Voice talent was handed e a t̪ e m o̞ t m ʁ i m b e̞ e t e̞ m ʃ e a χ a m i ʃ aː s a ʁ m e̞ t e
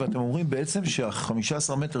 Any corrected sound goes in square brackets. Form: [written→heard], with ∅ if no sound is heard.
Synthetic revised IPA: e a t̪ e m o̞ [t→∅] m ʁ i m b e̞ e [t→t͡s] e̞ m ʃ e a χ a m i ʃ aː s a ʁ m e̞ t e